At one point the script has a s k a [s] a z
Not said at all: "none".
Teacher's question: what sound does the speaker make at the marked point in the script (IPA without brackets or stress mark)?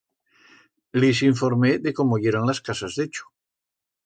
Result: s